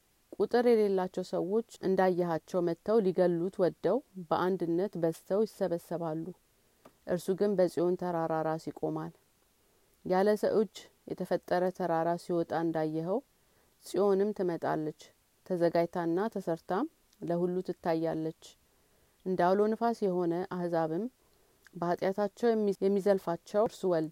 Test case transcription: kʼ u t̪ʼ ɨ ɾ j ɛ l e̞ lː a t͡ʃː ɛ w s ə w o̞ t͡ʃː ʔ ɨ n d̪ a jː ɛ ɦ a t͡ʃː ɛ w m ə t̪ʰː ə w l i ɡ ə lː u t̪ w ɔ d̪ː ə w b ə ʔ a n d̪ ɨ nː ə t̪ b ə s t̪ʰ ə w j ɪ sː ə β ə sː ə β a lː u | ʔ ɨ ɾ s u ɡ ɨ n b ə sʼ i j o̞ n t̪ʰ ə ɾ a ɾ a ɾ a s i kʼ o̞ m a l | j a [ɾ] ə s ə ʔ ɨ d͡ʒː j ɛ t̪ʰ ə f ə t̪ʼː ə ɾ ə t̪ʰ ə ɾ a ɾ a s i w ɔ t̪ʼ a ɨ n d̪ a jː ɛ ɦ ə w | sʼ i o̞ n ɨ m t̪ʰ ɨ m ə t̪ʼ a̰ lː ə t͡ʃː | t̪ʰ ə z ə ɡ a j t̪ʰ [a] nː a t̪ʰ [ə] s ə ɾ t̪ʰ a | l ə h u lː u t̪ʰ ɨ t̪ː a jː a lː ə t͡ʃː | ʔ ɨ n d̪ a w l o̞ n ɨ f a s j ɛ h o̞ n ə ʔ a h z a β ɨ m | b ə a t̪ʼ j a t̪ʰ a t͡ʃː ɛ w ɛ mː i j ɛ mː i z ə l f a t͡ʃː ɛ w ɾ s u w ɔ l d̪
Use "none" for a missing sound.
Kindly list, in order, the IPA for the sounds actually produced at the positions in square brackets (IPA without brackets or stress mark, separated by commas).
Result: l, a, ə